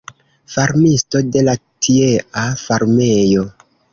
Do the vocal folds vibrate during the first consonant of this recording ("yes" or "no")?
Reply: no